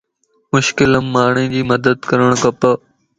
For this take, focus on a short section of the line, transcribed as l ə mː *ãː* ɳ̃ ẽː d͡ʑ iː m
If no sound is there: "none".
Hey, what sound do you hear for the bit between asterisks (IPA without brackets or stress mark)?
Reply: aː